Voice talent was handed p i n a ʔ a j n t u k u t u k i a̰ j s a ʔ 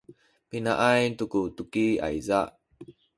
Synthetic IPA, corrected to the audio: p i n a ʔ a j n t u k u t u k i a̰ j z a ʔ